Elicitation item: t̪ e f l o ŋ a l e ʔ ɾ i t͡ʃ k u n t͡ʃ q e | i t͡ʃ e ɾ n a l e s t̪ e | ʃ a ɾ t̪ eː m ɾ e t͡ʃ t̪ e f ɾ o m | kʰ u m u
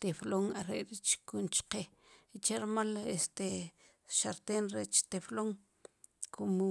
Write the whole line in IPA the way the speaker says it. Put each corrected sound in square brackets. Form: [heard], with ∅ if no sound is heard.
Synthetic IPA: t̪ e f l o ŋ a [ɾ] e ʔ ɾ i t͡ʃ k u n t͡ʃ q e | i t͡ʃ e ɾ [m] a l e s t̪ e | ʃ a ɾ t̪ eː [n] ɾ e t͡ʃ t̪ e f [l] o [ŋ] | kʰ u m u

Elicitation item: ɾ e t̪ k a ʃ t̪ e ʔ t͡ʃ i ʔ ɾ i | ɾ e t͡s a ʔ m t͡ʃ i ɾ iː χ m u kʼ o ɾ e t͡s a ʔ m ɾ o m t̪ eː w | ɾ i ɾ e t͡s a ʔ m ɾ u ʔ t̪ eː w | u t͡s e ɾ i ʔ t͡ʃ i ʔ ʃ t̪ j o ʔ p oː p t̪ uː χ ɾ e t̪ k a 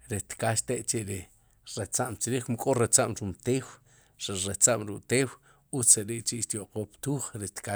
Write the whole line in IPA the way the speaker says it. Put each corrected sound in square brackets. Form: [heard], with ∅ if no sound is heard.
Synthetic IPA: ɾ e t̪ k a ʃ t̪ e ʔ t͡ʃ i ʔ ɾ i | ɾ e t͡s a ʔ m t͡ʃ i ɾ iː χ m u kʼ o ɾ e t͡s a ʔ m ɾ [u] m t̪ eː w | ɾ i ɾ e t͡s a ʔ m ɾ u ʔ t̪ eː w | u t͡s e ɾ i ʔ t͡ʃ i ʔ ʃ t̪ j o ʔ [q] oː p t̪ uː χ ɾ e t̪ k a

